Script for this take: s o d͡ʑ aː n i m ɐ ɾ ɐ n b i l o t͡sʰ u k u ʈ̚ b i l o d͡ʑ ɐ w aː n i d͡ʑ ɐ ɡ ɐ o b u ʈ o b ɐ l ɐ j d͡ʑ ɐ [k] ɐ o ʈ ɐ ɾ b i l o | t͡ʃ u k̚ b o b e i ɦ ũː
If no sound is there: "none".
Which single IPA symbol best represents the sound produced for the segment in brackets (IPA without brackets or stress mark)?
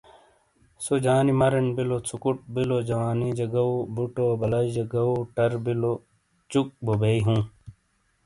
ɡ